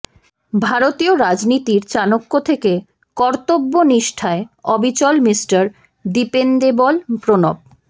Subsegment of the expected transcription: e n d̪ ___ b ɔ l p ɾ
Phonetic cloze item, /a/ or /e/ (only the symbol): e